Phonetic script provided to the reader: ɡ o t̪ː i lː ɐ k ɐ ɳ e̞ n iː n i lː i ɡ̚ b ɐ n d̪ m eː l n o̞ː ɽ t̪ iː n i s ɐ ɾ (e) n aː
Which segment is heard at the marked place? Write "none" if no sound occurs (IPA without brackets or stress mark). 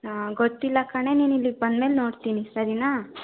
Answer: i